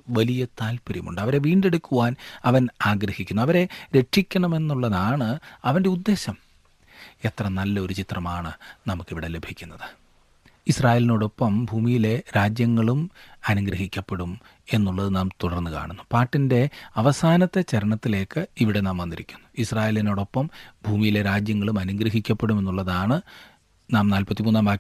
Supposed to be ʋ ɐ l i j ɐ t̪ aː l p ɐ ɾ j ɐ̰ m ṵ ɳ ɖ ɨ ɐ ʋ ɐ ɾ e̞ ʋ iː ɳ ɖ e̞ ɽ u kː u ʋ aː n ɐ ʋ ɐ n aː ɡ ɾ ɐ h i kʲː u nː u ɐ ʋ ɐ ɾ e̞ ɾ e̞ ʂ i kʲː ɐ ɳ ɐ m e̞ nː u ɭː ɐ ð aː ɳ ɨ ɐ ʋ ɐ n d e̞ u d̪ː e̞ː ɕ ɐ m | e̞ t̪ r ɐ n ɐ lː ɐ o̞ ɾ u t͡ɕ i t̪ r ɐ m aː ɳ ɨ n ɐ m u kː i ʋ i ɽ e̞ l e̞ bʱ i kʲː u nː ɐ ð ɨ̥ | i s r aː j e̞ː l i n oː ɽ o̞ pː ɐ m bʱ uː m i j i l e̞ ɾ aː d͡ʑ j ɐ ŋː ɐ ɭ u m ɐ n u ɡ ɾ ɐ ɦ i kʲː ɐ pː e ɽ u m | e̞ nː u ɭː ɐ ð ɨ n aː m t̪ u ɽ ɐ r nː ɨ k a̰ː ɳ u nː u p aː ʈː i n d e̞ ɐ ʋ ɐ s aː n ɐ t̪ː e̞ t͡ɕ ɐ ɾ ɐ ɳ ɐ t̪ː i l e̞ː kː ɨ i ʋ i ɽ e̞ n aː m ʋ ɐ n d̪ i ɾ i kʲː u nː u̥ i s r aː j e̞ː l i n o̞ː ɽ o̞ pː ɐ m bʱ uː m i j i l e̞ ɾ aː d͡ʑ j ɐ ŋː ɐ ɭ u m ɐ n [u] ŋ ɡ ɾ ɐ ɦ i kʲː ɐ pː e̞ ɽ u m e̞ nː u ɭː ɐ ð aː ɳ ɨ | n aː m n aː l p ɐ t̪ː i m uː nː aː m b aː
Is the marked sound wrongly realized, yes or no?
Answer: no